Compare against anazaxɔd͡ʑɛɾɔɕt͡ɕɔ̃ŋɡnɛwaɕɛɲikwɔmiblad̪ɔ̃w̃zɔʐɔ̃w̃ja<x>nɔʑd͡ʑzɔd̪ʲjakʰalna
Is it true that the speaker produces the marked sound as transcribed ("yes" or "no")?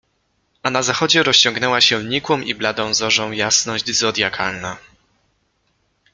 no